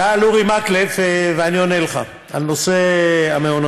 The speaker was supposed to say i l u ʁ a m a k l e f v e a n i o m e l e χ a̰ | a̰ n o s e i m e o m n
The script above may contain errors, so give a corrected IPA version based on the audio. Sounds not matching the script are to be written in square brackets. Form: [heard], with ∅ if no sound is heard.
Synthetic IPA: [a] l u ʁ [i] m a k l e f v e a n i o [n] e l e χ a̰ | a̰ n o s e [a] m e o [∅] n